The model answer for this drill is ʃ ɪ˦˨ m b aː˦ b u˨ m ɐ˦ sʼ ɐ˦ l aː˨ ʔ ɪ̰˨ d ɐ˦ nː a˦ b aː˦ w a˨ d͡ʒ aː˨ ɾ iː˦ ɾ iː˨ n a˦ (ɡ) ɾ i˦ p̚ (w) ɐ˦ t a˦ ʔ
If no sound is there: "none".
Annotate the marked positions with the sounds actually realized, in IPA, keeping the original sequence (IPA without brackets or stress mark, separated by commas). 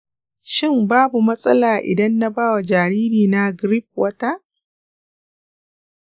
ɡ, w